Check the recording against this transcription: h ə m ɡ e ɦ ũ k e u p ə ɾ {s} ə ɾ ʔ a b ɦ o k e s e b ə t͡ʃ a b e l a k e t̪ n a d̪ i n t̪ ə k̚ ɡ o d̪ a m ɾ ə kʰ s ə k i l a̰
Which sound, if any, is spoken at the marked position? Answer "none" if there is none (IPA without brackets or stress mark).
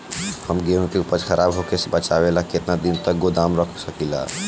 x